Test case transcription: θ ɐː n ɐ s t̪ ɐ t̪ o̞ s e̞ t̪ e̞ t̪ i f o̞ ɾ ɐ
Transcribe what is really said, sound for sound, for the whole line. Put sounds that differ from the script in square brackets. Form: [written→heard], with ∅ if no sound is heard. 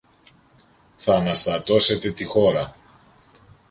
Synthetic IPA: θ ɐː n ɐ s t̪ ɐ t̪ o̞ s e̞ t̪ e̞ t̪ i [f→x] o̞ ɾ ɐ